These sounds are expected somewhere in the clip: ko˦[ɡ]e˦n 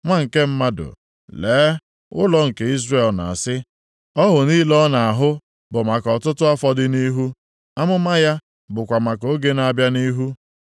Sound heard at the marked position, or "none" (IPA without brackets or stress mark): ɡ